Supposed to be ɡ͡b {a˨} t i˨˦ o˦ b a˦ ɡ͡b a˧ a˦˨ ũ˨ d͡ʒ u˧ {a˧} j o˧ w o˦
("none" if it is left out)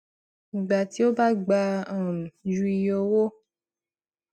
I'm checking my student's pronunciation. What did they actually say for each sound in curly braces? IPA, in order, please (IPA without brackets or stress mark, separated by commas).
a˨, i˧